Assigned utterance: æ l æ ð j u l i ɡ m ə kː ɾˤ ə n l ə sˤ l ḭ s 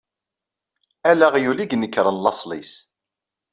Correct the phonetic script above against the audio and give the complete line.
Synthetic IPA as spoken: æ l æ ʁ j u l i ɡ n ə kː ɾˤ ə n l ɑ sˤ l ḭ s